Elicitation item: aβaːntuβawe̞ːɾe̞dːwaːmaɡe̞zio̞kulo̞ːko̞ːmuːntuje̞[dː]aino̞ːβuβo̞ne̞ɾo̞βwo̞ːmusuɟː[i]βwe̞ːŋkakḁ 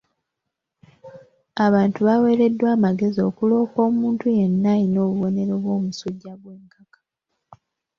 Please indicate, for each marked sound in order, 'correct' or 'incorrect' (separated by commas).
incorrect, incorrect